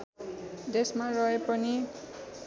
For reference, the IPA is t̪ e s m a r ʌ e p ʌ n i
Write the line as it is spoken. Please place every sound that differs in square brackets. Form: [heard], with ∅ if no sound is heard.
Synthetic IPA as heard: [d̪] e s m a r ʌ e p ʌ n i